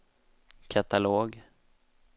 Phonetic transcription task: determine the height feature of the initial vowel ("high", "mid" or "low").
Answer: low